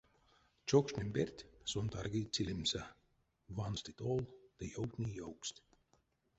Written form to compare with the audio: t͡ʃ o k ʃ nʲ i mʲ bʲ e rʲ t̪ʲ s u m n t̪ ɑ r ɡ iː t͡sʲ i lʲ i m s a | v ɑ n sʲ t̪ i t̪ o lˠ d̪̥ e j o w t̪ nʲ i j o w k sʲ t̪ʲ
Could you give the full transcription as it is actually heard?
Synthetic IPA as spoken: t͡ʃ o k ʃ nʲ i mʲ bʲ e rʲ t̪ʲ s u n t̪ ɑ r ɡ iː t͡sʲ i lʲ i m s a | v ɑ n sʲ t̪ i t̪ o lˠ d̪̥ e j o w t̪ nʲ i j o w k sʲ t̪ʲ